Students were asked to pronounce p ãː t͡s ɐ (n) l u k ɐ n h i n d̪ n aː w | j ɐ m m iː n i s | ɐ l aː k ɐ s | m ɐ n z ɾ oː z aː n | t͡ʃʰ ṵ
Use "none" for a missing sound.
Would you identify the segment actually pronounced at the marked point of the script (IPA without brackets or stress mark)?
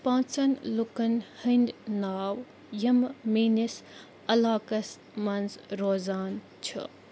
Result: n